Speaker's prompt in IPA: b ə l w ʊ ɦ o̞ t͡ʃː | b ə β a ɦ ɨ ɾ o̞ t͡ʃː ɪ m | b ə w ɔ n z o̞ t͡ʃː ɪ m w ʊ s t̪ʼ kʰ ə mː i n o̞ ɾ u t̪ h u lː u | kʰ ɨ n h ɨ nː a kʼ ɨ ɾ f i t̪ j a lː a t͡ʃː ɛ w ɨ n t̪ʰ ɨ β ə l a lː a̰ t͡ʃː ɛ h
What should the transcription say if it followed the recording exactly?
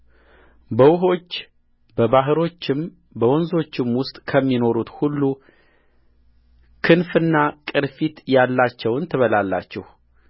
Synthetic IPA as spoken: b ə w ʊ ɦ o̞ t͡ʃː | b ə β a ɦ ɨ ɾ o̞ t͡ʃː ɪ m | b ə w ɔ n z o̞ t͡ʃː ɪ m w ʊ s t̪ʼ kʰ ə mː i n o̞ ɾ u t̪ h u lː u | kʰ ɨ n f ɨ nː a kʼ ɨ ɾ f i t̪ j a lː a t͡ʃː ɛ w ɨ n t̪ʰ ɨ β ə l a lː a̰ t͡ʃː ɛ h